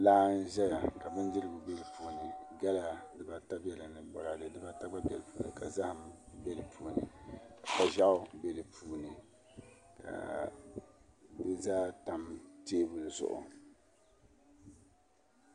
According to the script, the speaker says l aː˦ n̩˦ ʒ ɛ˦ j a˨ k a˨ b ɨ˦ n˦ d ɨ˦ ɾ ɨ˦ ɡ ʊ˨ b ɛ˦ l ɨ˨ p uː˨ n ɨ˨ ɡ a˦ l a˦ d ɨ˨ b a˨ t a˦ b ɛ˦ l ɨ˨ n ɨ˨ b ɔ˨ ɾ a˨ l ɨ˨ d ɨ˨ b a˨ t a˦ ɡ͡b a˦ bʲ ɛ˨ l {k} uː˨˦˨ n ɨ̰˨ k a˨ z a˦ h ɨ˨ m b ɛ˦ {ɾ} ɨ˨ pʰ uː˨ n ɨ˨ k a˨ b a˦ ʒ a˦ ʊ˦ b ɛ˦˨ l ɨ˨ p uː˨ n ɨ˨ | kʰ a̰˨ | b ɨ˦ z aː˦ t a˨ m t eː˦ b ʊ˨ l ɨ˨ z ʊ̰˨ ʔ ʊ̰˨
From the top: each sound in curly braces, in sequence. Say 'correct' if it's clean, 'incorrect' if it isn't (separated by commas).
incorrect, incorrect